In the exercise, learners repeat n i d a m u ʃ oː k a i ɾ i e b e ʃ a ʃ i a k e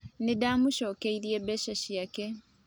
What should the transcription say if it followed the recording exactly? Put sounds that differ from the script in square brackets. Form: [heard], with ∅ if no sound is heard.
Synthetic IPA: n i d a m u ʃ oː k [e] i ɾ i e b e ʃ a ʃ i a k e